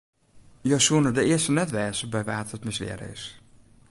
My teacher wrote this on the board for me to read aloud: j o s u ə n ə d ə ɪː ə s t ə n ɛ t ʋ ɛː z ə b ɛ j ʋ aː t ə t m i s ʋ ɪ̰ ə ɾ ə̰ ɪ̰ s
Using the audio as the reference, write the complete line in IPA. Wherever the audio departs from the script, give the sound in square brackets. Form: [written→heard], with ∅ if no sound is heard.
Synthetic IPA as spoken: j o s u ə n ə d ə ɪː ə s t ə n ɛ t ʋ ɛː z ə b ɛ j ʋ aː t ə t m [i→ɪ] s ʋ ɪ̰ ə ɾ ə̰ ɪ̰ s

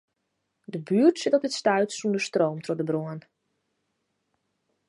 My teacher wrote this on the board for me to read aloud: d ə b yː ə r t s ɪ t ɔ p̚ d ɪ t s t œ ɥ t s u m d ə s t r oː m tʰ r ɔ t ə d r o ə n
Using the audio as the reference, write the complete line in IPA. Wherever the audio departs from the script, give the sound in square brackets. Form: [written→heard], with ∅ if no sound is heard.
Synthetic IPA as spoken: d ə b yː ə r t s ɪ t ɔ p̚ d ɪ t s t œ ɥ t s u [m→n] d ə s t r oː m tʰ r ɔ [t→d] ə [d→b] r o ə n

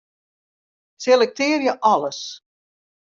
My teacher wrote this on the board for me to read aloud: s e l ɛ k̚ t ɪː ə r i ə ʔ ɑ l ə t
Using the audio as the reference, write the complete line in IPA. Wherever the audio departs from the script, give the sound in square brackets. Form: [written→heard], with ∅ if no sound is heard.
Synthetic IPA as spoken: s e l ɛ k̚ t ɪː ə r [i→j] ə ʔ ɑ l ə [t→s]

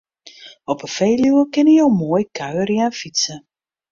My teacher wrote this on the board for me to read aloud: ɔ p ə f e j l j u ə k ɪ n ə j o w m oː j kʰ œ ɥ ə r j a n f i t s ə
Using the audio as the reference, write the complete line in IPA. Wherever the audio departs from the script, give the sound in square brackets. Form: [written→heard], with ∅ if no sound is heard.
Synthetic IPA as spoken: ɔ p ə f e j l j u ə k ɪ n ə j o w m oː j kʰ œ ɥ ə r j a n f i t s ə

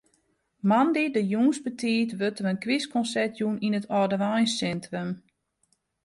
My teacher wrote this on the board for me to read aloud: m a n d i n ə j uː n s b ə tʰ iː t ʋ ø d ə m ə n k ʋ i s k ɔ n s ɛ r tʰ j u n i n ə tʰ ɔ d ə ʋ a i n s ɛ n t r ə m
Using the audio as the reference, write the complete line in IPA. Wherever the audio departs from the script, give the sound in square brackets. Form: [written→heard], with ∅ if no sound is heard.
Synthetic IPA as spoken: m a n d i [n→d] ə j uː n s b ə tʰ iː t ʋ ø [d→t] ə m ə n k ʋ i s k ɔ n s ɛ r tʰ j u n i n ə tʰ ɔ d ə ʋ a [i→j] n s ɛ n t r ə m

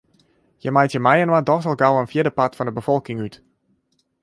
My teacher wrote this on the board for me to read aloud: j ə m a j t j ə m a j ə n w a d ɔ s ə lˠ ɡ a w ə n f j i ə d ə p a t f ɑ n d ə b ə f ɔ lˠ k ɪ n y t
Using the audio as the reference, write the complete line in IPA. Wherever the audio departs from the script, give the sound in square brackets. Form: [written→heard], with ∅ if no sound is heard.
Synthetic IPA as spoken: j ə m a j t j ə m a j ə n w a d ɔ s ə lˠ ɡ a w ə n f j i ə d ə p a t f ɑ n d ə b ə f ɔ lˠ k ɪ [n→ŋ] y t

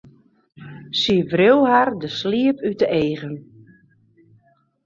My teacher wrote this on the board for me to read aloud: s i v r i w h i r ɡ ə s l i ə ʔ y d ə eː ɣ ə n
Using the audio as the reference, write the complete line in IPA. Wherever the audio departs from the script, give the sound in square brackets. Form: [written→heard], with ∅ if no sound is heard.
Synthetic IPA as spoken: s i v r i w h [i→a] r [ɡ→d] ə s l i ə [ʔ→p] y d ə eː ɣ ə n

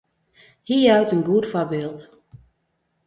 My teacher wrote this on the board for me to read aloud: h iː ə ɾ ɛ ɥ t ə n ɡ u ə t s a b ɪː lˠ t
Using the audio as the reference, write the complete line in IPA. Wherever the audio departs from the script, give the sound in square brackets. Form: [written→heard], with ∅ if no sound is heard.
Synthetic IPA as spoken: h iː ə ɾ [ɛ→œ] ɥ t ə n ɡ u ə t [s→f] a b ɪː lˠ t

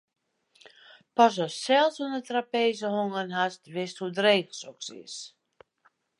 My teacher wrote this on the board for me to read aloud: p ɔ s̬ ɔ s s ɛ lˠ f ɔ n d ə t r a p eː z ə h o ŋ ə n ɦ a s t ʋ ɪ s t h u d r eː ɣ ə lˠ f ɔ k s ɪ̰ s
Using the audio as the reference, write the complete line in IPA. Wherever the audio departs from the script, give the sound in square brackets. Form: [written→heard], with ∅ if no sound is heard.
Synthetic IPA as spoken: p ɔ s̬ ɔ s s ɛ lˠ [f→s] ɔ n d ə t r a p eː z ə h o ŋ ə n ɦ a s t ʋ ɪ s t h u d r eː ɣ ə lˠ [f→s] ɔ k s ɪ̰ s

